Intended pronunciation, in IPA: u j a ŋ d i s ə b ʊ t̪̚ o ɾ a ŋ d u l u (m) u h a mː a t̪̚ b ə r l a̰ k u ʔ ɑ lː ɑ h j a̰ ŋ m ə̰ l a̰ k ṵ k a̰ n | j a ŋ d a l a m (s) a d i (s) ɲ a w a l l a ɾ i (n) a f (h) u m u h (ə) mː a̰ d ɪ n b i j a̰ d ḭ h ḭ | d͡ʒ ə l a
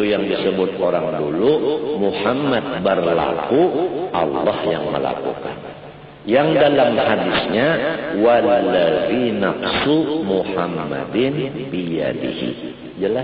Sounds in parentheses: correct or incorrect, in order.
correct, incorrect: h, correct, correct, incorrect: s, incorrect: a

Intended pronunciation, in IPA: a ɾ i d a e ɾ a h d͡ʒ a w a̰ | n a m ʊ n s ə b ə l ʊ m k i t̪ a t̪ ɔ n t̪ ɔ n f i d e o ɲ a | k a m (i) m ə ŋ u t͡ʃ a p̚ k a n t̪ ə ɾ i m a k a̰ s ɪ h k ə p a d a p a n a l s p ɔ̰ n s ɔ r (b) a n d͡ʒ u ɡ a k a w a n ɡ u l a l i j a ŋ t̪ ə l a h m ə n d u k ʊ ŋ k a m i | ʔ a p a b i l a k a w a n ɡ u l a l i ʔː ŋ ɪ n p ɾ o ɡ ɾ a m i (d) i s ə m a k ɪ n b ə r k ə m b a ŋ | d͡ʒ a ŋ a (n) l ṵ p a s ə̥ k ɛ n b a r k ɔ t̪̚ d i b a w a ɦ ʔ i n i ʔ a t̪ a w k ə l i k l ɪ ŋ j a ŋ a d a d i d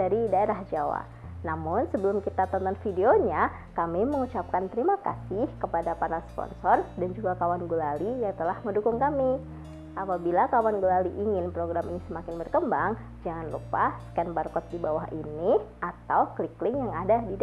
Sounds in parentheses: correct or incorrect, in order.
correct, incorrect: d, incorrect: n, correct

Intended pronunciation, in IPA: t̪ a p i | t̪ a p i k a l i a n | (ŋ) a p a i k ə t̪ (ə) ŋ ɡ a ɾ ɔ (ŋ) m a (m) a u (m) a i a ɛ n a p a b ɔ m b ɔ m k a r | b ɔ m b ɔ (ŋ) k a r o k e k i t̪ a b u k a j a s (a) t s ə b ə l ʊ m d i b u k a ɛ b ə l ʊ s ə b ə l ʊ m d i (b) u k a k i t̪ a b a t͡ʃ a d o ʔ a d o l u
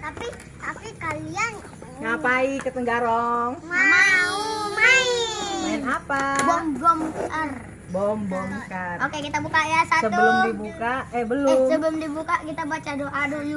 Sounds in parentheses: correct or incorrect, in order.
correct, correct, correct, correct, correct, incorrect: m, correct, correct

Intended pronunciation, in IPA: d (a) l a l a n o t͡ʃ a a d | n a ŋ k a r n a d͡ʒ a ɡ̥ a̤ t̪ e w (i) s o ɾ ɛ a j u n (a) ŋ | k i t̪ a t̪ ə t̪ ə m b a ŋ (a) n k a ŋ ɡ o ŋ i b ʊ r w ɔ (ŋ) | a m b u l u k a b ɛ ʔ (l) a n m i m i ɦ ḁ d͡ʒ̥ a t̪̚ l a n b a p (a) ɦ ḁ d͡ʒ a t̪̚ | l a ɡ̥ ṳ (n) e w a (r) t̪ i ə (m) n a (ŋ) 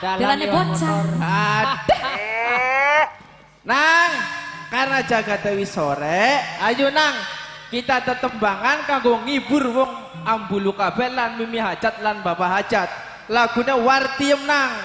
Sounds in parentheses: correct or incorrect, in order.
correct, correct, correct, correct, correct, correct, correct, correct, correct, correct, correct

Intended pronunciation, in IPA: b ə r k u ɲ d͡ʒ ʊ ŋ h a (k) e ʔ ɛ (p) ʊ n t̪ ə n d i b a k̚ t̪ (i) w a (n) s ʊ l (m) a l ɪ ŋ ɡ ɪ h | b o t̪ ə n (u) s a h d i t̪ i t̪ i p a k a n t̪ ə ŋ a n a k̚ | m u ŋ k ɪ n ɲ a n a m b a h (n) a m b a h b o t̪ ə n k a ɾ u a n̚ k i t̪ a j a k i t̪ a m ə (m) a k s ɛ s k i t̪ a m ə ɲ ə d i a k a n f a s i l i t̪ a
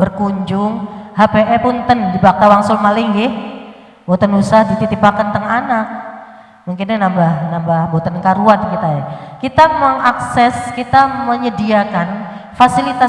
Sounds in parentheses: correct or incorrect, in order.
incorrect: p, correct, incorrect: a, incorrect: ŋ, correct, correct, correct, incorrect: ŋ

